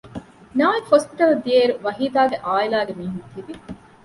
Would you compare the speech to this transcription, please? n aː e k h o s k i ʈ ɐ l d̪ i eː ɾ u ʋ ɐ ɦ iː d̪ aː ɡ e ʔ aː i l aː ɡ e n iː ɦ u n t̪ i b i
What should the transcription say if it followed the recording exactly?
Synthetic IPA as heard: n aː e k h o s p i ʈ ɐ l d̪ i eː ɾ u ʋ ɐ ɦ iː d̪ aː ɡ e ʔ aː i l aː ɡ e m iː ɦ u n t̪ i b i